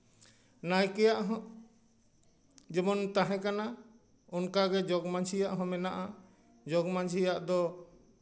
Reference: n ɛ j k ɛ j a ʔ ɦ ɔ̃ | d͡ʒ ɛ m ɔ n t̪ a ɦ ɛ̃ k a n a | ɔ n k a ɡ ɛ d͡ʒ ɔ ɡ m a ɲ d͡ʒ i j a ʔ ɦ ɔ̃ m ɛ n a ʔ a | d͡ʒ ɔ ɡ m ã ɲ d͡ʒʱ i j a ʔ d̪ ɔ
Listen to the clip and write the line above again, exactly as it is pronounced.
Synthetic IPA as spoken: n a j k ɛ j a ʔ ɦ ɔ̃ | d͡ʒ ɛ m ɔ n t̪ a ɦ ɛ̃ k a n a | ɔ n k a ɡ ɛ d͡ʒ ɔ ɡ m a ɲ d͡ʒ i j a ʔ ɦ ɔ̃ m ɛ n a ʔ a | d͡ʒ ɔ ɡ m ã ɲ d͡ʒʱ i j a ʔ d̪ ɔ